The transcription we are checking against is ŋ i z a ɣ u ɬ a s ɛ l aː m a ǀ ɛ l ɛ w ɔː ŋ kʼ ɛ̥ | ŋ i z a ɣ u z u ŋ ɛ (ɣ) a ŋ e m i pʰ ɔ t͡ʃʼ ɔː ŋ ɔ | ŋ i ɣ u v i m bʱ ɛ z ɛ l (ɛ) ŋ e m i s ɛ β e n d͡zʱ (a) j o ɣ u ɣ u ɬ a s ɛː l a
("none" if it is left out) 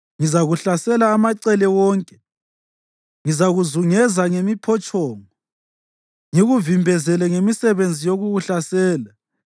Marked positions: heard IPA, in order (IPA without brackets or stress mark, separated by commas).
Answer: z, ɛ, i